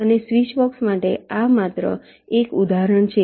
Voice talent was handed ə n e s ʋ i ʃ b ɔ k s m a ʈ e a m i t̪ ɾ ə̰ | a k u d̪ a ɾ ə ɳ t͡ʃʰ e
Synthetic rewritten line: ə n e s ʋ i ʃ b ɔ k s m a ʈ e a m a t̪ ɾ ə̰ | e k u d̪ a ɾ ə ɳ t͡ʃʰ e